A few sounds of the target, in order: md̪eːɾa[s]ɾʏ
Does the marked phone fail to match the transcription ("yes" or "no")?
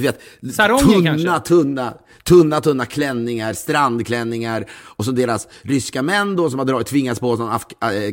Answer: no